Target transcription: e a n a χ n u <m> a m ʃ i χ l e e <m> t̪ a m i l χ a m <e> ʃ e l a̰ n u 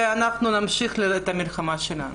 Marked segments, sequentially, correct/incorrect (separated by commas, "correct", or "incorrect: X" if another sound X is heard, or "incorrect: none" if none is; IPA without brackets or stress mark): incorrect: n, incorrect: none, incorrect: a